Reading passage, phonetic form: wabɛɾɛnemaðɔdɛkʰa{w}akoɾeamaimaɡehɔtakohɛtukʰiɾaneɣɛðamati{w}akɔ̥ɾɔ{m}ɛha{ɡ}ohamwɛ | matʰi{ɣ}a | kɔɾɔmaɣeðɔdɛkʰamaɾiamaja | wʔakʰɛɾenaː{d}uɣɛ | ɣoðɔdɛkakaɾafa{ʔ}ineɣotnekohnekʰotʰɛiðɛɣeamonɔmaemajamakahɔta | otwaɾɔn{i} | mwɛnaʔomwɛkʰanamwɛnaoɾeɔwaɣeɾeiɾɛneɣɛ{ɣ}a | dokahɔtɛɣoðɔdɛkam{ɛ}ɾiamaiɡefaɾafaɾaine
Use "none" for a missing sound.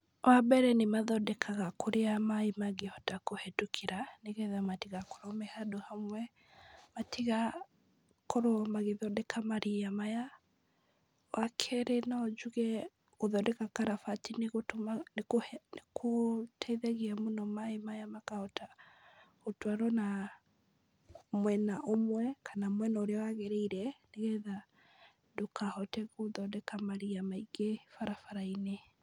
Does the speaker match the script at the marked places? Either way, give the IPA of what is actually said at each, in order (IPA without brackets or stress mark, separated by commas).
ɣ, ɣ, m, d, ɣ, d͡ʒ, t, a, ð, a